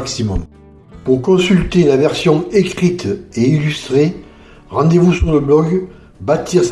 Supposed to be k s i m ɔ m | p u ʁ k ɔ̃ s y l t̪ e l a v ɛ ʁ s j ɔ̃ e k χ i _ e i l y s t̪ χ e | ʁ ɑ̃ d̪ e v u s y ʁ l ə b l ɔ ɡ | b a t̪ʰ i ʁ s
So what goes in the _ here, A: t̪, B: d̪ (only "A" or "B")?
A